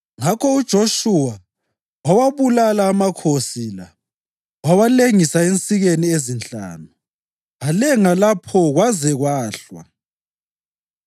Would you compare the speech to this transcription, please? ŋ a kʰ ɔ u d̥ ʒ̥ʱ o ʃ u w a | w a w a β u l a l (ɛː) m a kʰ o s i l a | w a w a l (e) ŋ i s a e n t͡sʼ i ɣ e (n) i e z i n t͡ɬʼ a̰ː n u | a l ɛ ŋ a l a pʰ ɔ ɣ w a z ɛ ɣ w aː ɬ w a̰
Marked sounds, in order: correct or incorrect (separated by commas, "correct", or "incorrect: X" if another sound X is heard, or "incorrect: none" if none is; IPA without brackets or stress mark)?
incorrect: aː, correct, correct